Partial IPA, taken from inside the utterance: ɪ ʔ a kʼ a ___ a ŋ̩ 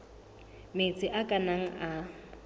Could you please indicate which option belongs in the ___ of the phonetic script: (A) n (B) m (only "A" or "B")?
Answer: A